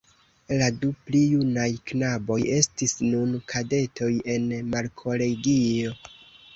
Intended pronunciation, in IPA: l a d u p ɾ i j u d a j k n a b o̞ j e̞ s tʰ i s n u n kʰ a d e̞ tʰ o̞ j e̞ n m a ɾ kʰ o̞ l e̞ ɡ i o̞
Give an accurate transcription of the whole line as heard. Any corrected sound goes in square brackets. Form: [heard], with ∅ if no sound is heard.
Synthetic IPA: l a d u p [l] i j u [n] a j k n a b o̞ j e̞ s [t] i s n u n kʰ a d e̞ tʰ o̞ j e̞ n m a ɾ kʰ o̞ l e̞ ɡ i o̞

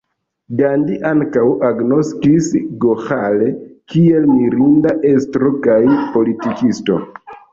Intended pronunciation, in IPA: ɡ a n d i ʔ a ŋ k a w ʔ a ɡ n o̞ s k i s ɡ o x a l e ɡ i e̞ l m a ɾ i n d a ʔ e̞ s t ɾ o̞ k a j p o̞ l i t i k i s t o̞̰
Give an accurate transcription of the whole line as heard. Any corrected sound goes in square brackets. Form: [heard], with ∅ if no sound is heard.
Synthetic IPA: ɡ a n d i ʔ a ŋ k a w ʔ a ɡ n o̞ s k i s ɡ o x a l e [k] i e̞ l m [i] ɾ i n d a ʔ e̞ s t ɾ o̞ k a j p o̞ l i t i k i s t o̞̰

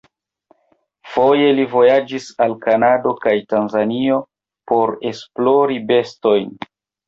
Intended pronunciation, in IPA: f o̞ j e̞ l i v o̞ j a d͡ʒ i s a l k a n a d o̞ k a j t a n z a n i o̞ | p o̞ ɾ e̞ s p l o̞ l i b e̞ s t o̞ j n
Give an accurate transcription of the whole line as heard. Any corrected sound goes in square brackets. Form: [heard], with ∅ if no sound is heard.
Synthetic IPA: f o̞ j e̞ l i v o̞ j a d͡ʒ i s a l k a n a d o̞ k a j t a n z a n i o̞ | p o̞ ɾ e̞ s p l o̞ [ɾ] i b e̞ s t o̞ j n

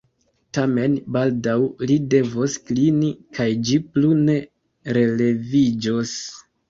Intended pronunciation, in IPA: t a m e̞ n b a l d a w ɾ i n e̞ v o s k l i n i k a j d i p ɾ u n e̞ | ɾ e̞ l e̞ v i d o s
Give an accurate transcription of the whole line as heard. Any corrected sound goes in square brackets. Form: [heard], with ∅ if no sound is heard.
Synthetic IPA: t a m e̞ n b a l d a w [l] i [d] e̞ v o s k l i n i k a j [d͡ʒ] i p [l] u n e̞ | ɾ e̞ l e̞ v i [d͡ʒ] o s

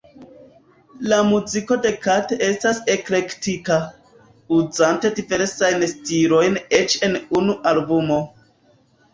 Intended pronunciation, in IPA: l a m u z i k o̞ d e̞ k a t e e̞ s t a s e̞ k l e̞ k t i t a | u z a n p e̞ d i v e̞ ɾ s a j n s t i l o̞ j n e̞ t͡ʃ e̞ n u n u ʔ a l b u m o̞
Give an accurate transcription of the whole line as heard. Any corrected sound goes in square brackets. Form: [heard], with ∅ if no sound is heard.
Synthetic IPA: l a m u z i k o̞ d e̞ k a t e e̞ s t a s e̞ k l e̞ k t i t a | u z a n [t] e̞ d i v e̞ ɾ s a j n s t i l o̞ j n e̞ t͡ʃ e̞ n u n u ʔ a l b u m o̞

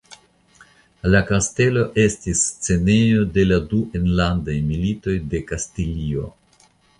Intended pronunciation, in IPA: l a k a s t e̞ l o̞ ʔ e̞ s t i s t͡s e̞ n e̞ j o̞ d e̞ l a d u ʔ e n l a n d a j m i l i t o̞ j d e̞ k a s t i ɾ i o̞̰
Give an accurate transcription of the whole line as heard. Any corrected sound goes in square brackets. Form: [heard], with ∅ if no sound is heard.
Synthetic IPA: l a k a s t e̞ l o̞ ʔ e̞ s t i s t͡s e̞ n e̞ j o̞ d e̞ l a d u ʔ e n l a n d a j m i l i t o̞ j d e̞ k a s t i [l] i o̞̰

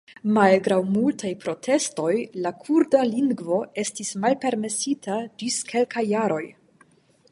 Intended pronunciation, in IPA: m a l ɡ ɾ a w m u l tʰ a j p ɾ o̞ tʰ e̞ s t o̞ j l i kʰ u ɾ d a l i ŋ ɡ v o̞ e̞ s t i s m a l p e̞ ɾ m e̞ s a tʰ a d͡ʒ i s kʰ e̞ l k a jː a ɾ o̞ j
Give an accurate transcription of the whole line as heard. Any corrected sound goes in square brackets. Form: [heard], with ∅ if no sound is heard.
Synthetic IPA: m a l ɡ ɾ a w m u l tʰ a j p ɾ o̞ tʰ e̞ s t o̞ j l [a] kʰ u ɾ d a l i ŋ ɡ v o̞ e̞ s t i s m a l p e̞ ɾ m e̞ s [i] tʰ a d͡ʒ i s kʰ e̞ l k a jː a ɾ o̞ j

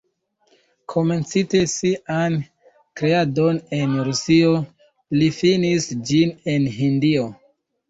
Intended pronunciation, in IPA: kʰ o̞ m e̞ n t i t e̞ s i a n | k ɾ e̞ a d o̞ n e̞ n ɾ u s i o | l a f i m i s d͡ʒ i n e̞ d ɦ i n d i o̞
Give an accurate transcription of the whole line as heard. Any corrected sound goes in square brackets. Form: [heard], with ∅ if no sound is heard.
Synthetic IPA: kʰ o̞ m e̞ n [t͡s] i t e̞ s i a n | k ɾ e̞ a d o̞ n e̞ n ɾ u s i o | l [i] f i [n] i s d͡ʒ i n e̞ [n] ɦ i n d i o̞

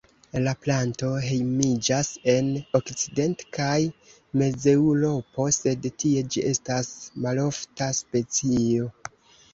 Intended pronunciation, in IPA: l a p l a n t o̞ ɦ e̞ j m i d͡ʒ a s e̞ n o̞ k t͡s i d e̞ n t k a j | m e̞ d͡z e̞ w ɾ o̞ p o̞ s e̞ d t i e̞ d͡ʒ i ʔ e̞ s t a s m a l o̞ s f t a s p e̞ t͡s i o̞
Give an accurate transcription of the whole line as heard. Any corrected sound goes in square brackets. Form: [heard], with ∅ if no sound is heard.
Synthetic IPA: l a p l a n t o̞ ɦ e̞ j m i d͡ʒ a s e̞ n o̞ k t͡s i d e̞ n t k a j | m e̞ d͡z e̞ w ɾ o̞ p o̞ s e̞ d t i e̞ d͡ʒ i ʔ e̞ s t a s m a l o̞ [∅] f t a s p e̞ t͡s i o̞

